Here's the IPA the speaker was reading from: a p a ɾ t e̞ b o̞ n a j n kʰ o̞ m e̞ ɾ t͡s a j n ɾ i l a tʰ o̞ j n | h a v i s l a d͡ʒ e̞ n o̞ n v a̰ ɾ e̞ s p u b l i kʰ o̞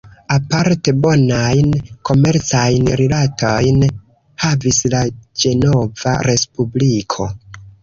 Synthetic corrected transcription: a p a ɾ t e̞ b o̞ n a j n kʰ o̞ m e̞ ɾ t͡s a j n ɾ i l a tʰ o̞ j n | h a v i s l a d͡ʒ e̞ n o̞ v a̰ ɾ e̞ s p u b l i kʰ o̞